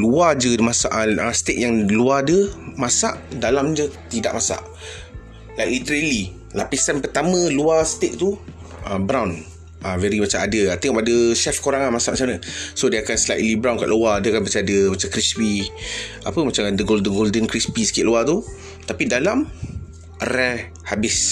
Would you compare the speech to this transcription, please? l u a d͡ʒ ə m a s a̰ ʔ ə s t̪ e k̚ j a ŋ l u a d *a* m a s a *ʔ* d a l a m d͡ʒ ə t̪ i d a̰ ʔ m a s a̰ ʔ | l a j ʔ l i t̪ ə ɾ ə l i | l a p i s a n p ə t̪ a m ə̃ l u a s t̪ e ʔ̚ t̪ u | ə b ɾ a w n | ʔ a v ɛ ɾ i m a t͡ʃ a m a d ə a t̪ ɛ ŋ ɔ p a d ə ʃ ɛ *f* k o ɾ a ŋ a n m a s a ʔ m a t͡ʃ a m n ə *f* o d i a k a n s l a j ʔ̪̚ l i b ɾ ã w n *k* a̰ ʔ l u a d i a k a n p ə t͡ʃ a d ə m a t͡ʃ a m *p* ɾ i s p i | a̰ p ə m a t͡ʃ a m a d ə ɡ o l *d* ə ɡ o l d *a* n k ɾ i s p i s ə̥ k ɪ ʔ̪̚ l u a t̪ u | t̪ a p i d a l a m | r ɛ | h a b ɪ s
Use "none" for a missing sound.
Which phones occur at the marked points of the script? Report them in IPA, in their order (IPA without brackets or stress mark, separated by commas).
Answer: ə, ʔ, f, s, k, k, d, ə